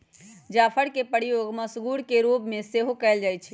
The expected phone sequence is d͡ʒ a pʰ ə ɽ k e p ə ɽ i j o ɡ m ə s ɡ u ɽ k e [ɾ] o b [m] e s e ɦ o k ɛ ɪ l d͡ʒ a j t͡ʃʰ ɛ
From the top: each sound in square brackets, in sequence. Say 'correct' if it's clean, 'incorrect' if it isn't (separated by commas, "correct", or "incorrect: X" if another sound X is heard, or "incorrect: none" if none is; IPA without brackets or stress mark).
correct, correct